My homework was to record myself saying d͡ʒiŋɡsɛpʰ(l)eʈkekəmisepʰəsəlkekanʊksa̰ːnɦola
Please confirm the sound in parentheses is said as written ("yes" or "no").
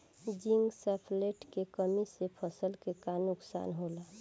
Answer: yes